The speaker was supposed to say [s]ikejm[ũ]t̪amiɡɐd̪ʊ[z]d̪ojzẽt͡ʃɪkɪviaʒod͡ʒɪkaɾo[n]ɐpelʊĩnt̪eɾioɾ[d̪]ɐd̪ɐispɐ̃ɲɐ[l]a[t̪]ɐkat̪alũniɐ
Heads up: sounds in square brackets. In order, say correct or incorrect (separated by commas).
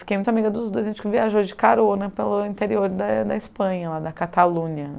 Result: incorrect, correct, correct, correct, correct, correct, incorrect